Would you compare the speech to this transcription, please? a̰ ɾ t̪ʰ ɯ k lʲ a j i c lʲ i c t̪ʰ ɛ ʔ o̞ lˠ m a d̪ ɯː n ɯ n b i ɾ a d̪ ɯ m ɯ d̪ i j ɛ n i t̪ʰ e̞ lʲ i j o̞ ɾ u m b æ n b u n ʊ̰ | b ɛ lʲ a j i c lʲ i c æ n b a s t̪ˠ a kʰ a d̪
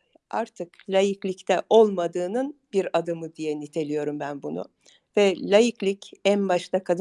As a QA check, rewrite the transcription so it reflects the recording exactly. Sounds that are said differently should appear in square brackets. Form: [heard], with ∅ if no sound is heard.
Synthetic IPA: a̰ ɾ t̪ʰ ɯ k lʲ a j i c lʲ i c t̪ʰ ɛ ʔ o̞ lˠ m a d̪ ɯː n ɯ n b i ɾ a d̪ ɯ m ɯ d̪ i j ɛ n i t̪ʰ e̞ lʲ i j o̞ ɾ u m b æ n b u n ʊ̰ | [v] ɛ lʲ a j i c lʲ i c æ n b a [ʃ] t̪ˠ a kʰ a d̪